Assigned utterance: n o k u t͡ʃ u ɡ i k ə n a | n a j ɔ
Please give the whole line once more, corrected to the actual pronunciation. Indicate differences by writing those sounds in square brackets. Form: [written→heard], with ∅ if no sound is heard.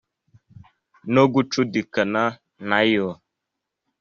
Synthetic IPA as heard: n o [k→ɡ] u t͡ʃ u [ɡ→d] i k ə n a | n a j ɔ